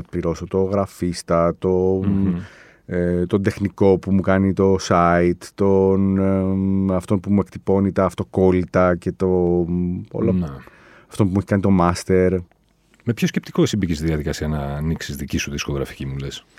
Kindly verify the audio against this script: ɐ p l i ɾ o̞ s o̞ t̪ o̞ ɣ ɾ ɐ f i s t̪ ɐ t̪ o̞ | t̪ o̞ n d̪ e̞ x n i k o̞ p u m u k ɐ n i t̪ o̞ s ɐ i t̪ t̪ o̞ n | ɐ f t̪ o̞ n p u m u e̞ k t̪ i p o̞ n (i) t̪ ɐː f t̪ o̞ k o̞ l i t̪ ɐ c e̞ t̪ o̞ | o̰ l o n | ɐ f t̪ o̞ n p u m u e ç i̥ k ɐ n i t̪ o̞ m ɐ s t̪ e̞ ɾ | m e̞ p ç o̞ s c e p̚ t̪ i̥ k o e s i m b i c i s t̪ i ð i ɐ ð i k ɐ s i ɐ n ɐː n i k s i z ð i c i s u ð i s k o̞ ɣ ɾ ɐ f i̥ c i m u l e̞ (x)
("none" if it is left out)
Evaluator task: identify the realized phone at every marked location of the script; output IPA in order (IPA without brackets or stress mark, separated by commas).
i, s